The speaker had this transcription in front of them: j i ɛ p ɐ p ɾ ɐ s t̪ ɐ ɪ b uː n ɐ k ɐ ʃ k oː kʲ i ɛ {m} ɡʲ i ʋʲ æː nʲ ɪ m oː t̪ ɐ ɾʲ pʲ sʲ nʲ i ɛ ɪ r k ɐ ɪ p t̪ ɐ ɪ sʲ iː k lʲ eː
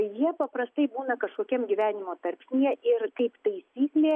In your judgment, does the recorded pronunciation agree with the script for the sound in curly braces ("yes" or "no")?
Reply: yes